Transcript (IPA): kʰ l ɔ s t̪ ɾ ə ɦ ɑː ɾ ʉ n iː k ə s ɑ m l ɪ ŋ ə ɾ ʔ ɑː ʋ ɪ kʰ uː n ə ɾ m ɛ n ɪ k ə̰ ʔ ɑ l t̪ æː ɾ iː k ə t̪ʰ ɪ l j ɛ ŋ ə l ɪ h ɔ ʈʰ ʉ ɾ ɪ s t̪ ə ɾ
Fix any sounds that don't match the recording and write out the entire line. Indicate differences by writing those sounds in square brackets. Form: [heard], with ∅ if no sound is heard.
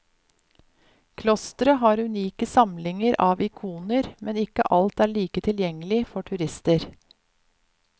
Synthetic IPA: kʰ l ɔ s t̪ ɾ ə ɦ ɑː ɾ ʉ n iː k ə s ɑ m l ɪ ŋ ə ɾ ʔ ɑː ʋ ɪ kʰ uː n ə ɾ m ɛ n ɪ k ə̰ ʔ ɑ l t̪ æː [ɭ] iː k ə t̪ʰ ɪ l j ɛ ŋ ə l ɪ [f] ɔ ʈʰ ʉ ɾ ɪ s t̪ ə ɾ